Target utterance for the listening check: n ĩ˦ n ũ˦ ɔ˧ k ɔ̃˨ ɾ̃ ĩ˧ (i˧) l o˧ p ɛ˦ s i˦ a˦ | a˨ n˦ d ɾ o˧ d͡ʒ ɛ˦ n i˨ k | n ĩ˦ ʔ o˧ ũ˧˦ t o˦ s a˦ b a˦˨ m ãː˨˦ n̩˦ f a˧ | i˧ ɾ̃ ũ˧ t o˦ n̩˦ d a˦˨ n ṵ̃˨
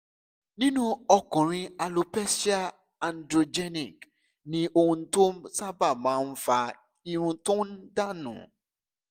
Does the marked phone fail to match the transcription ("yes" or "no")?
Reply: yes